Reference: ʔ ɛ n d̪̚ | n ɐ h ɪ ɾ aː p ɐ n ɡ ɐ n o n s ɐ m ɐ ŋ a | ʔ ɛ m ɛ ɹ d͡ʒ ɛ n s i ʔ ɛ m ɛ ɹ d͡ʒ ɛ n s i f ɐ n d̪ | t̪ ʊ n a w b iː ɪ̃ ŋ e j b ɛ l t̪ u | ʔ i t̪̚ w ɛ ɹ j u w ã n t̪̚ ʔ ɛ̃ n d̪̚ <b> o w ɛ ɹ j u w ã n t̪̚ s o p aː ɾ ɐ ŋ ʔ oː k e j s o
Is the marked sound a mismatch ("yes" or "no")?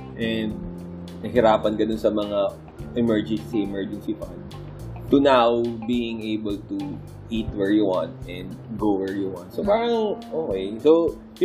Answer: yes